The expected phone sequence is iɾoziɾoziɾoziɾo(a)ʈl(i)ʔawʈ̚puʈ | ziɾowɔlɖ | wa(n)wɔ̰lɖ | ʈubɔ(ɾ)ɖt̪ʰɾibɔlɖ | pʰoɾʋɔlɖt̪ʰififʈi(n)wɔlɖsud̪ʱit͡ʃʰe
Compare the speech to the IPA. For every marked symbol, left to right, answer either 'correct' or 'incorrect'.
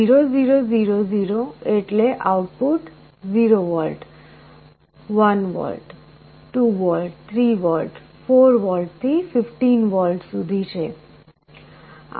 incorrect: e, incorrect: e, correct, incorrect: l, correct

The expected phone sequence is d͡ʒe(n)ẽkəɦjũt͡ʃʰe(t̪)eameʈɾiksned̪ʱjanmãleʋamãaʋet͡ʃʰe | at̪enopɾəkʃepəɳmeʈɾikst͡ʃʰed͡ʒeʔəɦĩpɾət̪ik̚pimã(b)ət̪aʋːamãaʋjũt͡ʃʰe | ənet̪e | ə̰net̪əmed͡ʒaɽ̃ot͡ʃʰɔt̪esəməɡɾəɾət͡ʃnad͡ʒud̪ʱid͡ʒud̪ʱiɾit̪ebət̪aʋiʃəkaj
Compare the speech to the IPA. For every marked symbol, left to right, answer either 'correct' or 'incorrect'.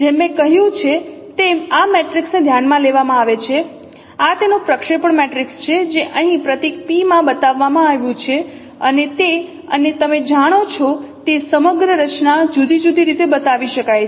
incorrect: m, correct, correct

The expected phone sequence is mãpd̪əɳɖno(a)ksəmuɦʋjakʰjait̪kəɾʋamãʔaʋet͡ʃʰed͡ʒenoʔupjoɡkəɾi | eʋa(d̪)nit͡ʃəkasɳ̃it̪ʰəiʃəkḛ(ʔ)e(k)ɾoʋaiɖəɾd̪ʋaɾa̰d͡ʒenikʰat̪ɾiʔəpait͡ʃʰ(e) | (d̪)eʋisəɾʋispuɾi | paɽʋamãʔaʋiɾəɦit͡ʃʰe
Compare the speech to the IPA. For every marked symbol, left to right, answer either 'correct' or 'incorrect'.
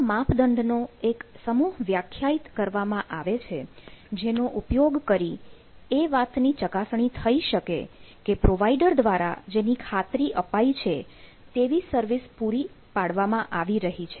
incorrect: e, incorrect: t̪, incorrect: k, incorrect: p, correct, incorrect: t̪

